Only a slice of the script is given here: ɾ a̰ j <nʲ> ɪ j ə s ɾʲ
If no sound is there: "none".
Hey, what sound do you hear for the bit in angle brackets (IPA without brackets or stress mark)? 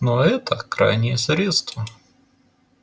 nʲ